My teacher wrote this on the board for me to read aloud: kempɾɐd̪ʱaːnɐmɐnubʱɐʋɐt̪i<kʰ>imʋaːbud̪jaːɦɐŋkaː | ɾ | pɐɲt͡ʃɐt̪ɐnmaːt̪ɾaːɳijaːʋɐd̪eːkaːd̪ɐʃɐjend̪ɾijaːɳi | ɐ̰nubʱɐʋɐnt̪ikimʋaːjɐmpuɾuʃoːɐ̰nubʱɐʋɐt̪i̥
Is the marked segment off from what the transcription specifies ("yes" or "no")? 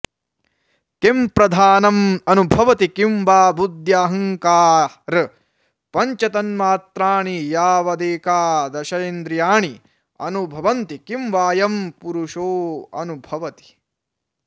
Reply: yes